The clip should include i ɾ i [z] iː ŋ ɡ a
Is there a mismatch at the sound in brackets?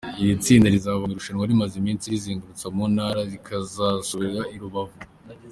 no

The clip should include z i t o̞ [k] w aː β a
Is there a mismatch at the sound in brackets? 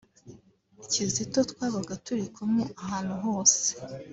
yes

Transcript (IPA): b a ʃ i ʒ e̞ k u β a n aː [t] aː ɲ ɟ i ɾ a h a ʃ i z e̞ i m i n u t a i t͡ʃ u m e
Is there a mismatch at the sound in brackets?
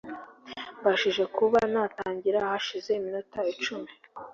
no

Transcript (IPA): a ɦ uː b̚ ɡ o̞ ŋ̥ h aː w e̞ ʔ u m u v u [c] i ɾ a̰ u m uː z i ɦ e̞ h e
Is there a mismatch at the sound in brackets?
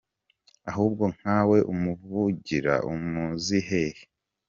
yes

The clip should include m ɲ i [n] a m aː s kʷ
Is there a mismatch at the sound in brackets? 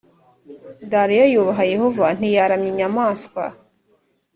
yes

